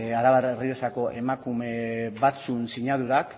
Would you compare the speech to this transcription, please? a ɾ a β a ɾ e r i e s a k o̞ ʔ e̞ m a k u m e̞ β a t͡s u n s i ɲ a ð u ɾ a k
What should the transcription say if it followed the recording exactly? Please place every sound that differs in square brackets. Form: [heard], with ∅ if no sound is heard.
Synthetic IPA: a ɾ a β a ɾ e r i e s a k o̞ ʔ e̞ m a k u m e̞ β a t͡s u n s i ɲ a ð u ɾ a k